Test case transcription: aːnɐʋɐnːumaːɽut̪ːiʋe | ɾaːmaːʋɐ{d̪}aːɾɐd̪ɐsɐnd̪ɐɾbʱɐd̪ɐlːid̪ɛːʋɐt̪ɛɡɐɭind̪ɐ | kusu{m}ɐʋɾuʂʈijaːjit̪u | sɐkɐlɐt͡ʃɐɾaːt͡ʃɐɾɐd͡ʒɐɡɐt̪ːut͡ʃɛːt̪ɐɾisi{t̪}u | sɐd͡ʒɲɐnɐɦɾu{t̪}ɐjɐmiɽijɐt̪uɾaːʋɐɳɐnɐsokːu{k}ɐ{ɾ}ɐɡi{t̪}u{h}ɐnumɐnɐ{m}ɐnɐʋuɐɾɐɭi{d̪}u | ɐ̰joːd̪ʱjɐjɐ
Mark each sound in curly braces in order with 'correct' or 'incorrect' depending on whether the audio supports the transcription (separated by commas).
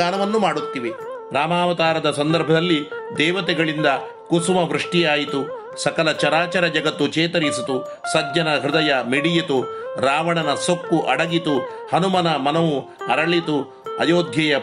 incorrect, correct, correct, incorrect, incorrect, incorrect, correct, correct, correct, incorrect